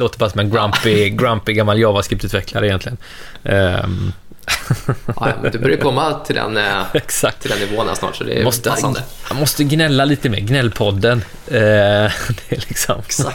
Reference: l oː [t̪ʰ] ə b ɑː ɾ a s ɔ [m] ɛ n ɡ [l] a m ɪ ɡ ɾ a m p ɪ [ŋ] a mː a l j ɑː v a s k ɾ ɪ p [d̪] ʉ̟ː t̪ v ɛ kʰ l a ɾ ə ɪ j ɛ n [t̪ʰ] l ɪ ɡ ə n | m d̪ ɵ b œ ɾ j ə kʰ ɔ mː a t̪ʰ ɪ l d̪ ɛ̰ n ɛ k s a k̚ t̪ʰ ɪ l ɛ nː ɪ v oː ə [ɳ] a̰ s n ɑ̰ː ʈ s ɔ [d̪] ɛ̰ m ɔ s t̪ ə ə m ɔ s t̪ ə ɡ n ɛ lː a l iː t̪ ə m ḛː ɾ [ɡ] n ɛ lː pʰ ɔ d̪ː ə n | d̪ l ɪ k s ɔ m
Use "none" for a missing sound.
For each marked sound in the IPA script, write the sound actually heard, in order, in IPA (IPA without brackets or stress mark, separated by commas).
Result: t̪, m, ɾ, ɡ, t̪, t̪, n, d̪, ɡ